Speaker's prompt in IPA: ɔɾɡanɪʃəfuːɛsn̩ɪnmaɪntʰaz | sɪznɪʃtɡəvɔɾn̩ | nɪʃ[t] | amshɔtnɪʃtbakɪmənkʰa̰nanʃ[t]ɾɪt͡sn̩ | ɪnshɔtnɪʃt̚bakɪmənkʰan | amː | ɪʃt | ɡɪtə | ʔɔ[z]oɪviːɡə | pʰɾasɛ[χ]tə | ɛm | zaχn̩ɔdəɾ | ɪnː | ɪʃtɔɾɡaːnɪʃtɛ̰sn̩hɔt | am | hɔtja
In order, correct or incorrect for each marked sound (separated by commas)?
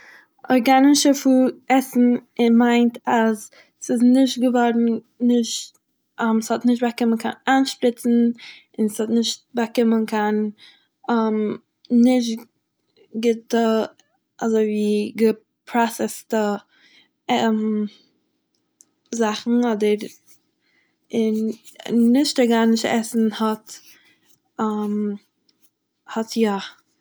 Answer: correct, incorrect, correct, incorrect